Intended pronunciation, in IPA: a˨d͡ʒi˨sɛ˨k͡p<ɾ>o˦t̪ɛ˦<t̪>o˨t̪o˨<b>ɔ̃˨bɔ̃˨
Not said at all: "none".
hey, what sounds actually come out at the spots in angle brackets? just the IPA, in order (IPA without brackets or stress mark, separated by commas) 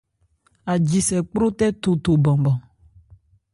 ɾ, t̪, b